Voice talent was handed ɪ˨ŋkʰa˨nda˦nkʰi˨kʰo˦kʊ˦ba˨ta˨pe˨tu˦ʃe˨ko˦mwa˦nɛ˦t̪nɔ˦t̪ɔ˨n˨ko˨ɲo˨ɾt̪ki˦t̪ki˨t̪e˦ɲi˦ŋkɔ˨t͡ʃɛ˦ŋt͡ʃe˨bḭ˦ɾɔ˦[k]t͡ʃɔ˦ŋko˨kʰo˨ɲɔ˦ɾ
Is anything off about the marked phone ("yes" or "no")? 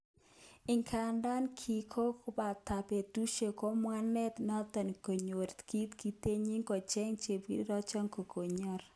yes